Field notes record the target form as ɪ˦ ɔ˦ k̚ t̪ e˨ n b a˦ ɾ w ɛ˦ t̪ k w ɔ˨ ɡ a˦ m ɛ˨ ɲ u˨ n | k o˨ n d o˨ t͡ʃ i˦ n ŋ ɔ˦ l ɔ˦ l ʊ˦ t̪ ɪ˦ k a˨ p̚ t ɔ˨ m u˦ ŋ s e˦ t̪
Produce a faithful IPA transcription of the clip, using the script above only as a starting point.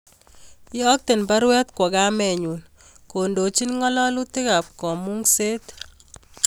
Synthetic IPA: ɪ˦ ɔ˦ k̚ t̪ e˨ n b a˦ ɾ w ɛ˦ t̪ k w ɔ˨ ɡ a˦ m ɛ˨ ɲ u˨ n | k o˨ n d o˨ t͡ʃ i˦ n ŋ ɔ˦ l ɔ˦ l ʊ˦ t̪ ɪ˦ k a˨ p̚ k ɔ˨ m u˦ ŋ s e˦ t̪

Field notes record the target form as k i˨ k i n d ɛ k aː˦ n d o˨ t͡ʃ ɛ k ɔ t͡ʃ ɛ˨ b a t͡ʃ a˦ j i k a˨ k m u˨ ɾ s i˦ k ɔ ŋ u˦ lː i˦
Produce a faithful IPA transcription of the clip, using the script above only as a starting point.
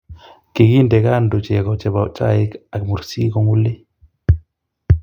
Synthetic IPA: k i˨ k i n d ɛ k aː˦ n d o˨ t͡ʃ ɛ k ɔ t͡ʃ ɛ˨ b a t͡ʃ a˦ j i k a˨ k m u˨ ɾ s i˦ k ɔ ŋ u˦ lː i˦

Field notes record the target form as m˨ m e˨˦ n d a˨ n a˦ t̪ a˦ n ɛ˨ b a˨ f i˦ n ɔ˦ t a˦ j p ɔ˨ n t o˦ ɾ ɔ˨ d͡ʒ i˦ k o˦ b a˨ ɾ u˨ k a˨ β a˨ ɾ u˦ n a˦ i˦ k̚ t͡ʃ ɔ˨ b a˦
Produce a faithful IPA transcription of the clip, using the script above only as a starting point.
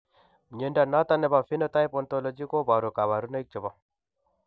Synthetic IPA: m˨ ɲ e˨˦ n d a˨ n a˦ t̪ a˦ n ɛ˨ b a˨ f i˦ n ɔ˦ t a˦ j p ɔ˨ n t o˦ l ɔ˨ d͡ʒ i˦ k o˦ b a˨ ɾ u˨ k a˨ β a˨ ɾ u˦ n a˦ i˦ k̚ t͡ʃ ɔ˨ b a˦

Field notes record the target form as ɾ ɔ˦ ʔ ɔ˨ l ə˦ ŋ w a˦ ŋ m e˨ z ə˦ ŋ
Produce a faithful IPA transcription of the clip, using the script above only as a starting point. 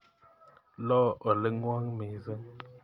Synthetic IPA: l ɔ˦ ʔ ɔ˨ l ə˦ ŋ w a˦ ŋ m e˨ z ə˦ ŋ

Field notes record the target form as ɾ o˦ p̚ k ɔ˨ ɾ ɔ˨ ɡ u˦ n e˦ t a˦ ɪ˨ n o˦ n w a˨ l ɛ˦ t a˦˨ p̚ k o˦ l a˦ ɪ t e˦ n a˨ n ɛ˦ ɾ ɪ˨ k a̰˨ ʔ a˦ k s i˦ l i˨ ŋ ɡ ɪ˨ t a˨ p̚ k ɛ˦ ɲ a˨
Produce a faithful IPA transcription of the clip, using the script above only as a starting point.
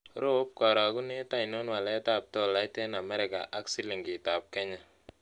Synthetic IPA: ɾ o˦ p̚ k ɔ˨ ɾ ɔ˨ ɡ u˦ n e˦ t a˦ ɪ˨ n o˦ n w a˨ l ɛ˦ t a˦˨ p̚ t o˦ l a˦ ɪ t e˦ n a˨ m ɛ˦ ɾ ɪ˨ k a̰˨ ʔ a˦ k s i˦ l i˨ ŋ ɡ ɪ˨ t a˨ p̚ k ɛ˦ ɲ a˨

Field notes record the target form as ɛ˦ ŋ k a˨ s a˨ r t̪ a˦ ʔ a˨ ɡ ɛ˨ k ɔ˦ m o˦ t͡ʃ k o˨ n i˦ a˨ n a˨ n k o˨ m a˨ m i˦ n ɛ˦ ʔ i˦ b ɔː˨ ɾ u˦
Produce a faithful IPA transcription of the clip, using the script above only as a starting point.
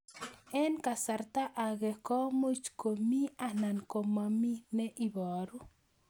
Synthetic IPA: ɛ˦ n k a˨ s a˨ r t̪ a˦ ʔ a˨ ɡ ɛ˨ k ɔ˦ m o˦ t͡ʃ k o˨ m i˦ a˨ n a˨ n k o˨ m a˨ m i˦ n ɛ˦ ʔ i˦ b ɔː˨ ɾ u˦

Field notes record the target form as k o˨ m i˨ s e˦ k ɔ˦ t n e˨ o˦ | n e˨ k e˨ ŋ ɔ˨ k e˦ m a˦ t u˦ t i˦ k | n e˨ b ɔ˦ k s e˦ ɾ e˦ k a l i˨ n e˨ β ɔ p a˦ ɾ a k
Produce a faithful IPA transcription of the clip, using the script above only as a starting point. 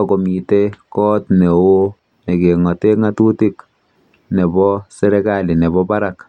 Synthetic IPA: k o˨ m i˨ t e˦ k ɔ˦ t n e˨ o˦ | n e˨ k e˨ ŋ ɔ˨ t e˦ ŋ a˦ t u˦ t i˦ k | n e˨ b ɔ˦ s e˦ ɾ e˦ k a l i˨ n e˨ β ɔ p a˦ ɾ a k

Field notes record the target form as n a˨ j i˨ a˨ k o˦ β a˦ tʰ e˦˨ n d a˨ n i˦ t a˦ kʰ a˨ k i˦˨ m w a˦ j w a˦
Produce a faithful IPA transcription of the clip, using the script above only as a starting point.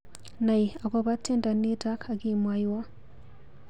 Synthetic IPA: n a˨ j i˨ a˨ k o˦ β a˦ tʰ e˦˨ n d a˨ n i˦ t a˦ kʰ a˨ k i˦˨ m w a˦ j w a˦

